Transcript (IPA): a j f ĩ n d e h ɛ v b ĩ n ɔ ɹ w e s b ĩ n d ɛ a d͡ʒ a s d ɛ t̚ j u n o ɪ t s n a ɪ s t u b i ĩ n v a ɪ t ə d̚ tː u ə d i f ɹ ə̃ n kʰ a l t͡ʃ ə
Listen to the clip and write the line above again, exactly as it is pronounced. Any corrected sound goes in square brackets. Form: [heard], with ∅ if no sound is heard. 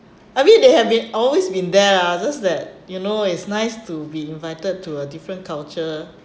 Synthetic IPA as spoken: a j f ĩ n d e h ɛ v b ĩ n ɔ [l] w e s b ĩ n d ɛ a d͡ʒ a s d ɛ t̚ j u n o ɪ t s n a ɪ s t u b i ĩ n v a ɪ t ə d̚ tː u ə d i f ɹ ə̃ n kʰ a l t͡ʃ ə